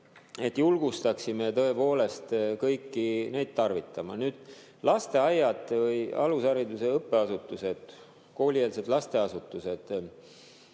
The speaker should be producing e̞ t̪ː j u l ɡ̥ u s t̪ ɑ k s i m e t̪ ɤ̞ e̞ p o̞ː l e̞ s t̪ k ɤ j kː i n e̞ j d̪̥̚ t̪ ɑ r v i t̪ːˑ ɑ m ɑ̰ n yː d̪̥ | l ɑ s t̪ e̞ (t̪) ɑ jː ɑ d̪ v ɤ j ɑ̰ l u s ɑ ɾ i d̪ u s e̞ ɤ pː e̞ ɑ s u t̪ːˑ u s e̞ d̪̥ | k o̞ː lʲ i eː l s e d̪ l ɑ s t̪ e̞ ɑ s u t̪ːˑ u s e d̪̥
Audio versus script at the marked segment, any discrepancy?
yes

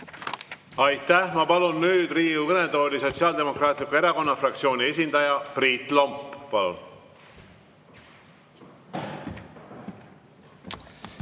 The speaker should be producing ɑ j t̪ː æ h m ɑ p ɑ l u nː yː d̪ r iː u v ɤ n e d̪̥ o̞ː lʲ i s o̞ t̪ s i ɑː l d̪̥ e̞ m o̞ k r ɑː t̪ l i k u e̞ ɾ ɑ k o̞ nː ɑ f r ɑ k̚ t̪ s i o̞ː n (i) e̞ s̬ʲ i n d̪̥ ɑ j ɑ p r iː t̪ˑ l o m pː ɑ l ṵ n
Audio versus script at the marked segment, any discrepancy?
no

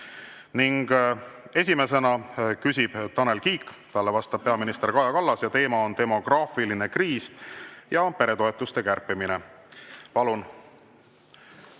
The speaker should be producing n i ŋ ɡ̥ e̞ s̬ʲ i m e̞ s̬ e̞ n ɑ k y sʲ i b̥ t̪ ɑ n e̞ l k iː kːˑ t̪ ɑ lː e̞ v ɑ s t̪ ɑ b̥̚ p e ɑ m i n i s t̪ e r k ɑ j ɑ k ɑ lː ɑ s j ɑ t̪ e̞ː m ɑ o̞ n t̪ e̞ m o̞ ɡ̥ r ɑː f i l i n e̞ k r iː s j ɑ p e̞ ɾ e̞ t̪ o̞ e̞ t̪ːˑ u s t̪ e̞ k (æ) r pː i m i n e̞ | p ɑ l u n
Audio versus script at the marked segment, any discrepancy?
no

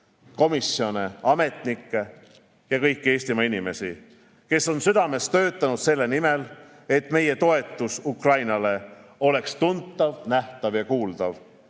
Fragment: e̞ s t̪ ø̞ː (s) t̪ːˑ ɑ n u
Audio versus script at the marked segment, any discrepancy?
yes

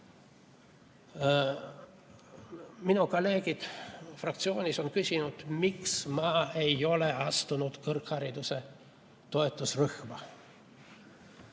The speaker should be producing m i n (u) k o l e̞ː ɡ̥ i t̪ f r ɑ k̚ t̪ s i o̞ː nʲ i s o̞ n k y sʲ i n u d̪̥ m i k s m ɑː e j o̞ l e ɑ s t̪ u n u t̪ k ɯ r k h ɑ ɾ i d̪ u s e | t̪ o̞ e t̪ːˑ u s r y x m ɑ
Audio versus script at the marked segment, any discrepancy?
no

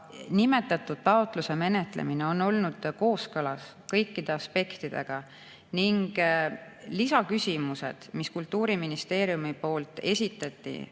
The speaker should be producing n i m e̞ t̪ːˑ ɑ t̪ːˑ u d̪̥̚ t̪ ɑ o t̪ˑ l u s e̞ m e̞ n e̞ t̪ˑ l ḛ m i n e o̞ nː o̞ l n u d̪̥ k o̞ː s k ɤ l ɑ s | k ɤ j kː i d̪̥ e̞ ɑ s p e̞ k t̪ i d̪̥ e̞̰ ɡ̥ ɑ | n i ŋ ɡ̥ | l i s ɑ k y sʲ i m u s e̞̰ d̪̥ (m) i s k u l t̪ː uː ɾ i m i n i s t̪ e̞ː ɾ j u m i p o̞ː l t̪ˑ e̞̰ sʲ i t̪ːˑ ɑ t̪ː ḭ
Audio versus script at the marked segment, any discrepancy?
no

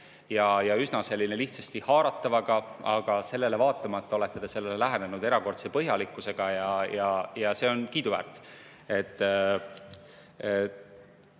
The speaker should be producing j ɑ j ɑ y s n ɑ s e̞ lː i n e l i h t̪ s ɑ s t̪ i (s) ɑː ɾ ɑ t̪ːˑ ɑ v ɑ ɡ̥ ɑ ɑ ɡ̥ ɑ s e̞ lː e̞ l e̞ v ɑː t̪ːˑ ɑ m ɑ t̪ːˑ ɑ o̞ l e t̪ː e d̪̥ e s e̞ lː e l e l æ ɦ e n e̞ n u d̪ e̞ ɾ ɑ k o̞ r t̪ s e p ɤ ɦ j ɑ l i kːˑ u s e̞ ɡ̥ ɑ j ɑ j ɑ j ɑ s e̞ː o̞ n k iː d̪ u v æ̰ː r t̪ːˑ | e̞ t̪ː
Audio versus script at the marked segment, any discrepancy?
yes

